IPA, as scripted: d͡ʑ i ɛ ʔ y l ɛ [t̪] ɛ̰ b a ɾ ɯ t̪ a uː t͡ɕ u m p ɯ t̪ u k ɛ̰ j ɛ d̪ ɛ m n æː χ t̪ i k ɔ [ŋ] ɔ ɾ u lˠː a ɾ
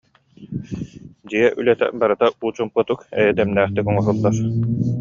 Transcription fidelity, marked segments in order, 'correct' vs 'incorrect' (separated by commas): correct, correct